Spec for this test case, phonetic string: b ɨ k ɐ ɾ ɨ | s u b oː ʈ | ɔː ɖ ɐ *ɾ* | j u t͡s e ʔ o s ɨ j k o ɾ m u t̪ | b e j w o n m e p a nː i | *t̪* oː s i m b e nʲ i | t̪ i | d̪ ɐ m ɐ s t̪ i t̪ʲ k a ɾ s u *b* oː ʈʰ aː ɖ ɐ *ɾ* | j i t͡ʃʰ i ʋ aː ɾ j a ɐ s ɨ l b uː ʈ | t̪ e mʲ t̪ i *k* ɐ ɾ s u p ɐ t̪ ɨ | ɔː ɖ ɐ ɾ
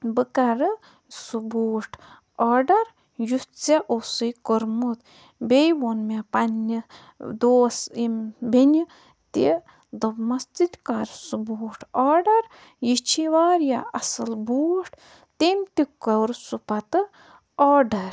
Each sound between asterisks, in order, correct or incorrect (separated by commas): correct, incorrect, correct, correct, correct